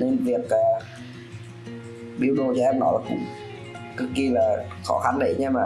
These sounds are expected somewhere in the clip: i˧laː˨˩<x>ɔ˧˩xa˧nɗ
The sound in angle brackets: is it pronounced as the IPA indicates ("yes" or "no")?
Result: yes